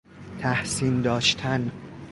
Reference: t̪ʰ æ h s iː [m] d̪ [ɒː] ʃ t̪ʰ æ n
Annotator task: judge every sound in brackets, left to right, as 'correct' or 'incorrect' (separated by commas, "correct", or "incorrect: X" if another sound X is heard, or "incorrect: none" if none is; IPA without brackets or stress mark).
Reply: incorrect: n, correct